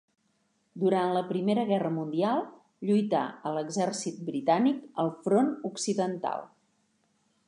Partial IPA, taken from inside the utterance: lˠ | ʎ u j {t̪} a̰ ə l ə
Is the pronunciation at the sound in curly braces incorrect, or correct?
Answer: correct